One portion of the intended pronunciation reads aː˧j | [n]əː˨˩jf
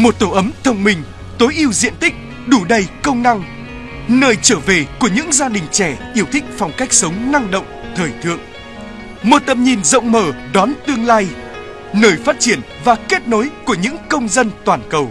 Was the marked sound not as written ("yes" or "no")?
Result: no